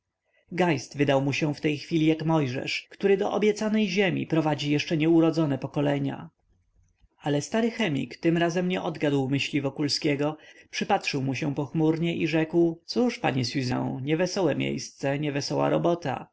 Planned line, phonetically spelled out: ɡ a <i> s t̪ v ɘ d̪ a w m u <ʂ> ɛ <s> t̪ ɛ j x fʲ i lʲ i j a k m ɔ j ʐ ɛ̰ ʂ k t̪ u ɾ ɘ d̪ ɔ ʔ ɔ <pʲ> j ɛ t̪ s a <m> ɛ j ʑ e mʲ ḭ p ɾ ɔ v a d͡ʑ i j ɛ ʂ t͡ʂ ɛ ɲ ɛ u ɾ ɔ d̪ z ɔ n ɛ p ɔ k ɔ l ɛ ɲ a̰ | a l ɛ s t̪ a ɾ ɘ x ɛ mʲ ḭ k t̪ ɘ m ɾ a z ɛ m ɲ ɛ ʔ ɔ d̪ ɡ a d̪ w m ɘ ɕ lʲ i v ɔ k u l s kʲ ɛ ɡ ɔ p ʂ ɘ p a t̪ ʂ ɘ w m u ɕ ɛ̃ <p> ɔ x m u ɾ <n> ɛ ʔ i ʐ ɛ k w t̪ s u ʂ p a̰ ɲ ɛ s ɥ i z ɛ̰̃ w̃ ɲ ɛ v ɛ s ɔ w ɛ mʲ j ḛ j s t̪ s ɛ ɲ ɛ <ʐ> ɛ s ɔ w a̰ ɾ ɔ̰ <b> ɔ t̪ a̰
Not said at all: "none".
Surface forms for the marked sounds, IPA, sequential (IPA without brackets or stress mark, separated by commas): j, ɕ, f, bʲ, n, p, ɲ, v, b